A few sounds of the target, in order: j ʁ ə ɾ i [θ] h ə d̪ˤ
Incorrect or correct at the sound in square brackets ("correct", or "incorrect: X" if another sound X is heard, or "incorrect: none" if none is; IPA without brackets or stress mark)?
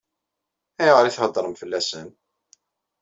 correct